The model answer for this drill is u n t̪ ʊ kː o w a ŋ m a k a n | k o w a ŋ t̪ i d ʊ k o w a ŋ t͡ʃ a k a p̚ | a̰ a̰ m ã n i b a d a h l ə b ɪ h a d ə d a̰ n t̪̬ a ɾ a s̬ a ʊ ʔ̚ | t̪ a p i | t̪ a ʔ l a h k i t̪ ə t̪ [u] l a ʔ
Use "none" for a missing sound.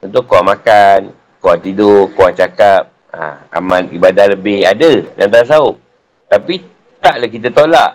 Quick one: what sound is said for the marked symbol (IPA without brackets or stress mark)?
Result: o